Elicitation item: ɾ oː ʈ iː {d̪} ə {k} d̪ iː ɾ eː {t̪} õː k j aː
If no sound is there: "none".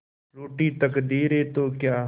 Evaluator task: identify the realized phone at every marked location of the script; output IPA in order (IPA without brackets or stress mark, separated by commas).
t̪, k, t̪